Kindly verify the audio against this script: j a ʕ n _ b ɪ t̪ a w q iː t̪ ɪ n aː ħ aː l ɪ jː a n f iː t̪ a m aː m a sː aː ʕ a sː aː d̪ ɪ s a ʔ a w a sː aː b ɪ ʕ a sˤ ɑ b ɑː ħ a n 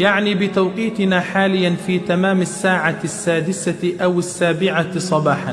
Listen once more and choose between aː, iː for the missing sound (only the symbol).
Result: iː